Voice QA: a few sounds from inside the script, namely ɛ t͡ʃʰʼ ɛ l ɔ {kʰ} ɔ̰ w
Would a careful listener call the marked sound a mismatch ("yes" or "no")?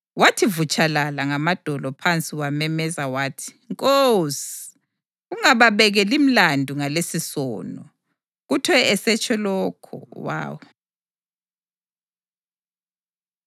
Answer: no